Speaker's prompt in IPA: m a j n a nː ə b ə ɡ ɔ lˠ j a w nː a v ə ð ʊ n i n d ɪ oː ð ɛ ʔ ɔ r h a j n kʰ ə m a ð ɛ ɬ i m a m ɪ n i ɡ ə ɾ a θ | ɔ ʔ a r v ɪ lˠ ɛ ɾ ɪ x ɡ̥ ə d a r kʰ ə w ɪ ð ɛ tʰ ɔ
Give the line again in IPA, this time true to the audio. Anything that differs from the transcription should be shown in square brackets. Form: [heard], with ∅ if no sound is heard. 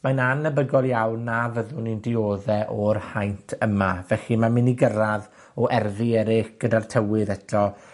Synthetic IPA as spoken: m a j n a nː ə b ə ɡ ɔ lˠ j a w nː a v ə ð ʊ n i n d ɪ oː ð ɛ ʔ ɔ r h a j n [tʰ] ə m a [v] ɛ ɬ i m a m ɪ n i ɡ ə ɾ a [ð] | ɔ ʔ [ɛ] r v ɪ [∅] ɛ ɾ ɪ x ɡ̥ ə d a r [tʰ] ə w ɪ ð ɛ tʰ ɔ